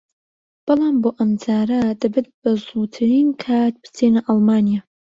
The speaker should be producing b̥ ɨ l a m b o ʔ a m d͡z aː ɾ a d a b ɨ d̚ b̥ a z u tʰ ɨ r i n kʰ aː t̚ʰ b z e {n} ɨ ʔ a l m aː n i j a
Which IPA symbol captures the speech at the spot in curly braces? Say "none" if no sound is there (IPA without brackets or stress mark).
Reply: n